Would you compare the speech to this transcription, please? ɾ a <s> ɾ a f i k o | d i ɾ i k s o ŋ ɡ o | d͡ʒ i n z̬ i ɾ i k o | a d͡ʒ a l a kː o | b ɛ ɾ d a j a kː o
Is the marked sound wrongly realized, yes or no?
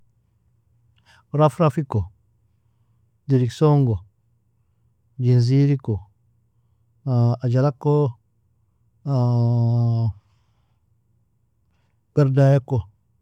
yes